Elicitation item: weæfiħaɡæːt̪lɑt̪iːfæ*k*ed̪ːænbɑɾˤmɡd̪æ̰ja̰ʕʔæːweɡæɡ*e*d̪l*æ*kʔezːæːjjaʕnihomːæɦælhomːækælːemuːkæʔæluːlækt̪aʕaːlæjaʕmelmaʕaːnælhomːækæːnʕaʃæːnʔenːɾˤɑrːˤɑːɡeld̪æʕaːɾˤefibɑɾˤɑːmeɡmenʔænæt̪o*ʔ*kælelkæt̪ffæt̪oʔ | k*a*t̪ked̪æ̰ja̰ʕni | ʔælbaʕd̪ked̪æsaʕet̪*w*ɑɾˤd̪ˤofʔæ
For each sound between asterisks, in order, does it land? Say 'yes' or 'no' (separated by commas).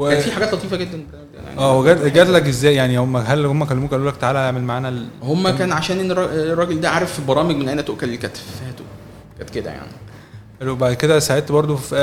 no, no, yes, yes, no, no